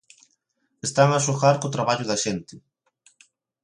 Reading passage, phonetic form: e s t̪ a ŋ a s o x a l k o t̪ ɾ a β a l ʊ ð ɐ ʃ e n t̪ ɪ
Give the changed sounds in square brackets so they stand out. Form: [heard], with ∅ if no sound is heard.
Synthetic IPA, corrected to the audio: e s t̪ a ŋ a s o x a [ɾ] k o t̪ ɾ a β a [ʎ] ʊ ð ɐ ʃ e n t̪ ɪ